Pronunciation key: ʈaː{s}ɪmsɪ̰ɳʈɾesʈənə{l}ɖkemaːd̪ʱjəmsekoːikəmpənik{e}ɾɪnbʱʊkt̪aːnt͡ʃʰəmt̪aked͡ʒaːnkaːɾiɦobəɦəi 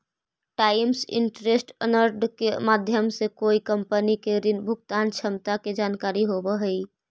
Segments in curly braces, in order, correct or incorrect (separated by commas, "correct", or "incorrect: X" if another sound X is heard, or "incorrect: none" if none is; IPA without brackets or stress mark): incorrect: none, incorrect: ɾ, correct